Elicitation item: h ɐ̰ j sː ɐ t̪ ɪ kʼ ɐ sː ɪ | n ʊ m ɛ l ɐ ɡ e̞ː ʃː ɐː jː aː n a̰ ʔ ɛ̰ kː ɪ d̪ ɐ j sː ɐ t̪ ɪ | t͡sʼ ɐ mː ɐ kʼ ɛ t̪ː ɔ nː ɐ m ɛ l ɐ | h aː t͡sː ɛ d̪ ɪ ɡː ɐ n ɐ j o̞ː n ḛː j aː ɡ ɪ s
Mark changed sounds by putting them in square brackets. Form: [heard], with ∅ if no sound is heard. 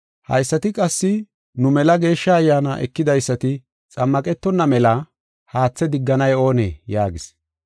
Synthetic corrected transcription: h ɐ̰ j sː ɐ t̪ ɪ kʼ ɐ sː ɪ | n ʊ m ɛ l ɐ ɡ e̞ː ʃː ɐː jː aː n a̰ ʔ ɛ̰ kː ɪ d̪ ɐ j sː ɐ t̪ ɪ | t͡sʼ ɐ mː ɐ kʼ ɛ t̪ː ɔ nː ɐ m ɛ l ɐ | h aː t͡sː ɛ d̪ ɪ ɡː ɐ n ɐ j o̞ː n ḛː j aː ɡ ɪ s